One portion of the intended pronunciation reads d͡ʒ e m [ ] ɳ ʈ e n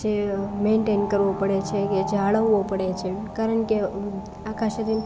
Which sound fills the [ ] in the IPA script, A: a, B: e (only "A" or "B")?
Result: B